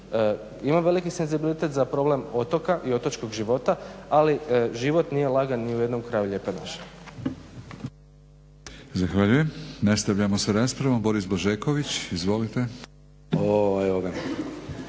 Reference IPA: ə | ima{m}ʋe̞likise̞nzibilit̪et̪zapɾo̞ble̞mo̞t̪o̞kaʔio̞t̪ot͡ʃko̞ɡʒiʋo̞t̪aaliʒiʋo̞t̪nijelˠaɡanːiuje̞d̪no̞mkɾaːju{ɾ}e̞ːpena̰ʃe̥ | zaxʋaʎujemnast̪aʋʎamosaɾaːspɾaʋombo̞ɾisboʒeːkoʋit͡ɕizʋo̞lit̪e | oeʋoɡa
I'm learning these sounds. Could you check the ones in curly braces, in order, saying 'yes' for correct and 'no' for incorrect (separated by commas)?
yes, no